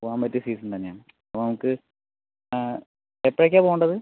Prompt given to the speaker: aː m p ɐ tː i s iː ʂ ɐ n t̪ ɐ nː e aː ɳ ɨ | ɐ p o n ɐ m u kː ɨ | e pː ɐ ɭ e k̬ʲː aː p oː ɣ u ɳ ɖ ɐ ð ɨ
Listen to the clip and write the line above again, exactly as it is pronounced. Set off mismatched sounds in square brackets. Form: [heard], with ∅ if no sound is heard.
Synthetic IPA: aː m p ɐ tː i s iː [s] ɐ n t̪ ɐ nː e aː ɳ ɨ | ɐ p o n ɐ m u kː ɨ | e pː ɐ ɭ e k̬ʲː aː p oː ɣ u ɳ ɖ ɐ ð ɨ